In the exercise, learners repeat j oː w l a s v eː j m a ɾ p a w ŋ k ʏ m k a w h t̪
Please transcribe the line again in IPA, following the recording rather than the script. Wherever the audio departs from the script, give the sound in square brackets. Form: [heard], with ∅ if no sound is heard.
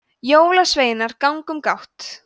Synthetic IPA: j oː w l a s v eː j [n] a ɾ [k] a w ŋ k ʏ m k a w h t̪